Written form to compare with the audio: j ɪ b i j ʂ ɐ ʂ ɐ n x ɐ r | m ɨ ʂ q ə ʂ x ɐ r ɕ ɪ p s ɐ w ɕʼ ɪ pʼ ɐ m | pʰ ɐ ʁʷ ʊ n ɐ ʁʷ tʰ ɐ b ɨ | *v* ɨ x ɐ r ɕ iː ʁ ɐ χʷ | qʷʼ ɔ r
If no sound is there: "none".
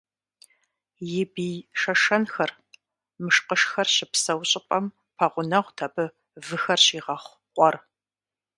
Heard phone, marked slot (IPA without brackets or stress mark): v